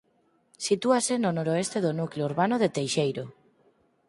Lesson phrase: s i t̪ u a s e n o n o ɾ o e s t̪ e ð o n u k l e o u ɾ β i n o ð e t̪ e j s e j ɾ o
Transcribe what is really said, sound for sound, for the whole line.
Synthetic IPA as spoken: s i t̪ u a s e n o n o ɾ o e s t̪ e ð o n u k l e o u ɾ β a n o ð e t̪ e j ʃ e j ɾ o